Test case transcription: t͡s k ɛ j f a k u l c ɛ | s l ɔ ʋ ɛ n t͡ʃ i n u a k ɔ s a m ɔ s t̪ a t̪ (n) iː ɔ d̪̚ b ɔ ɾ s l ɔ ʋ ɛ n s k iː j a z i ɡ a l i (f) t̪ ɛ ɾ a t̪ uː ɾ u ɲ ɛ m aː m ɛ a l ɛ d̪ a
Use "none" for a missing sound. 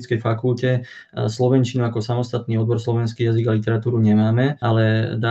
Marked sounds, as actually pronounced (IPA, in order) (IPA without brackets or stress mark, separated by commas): n, none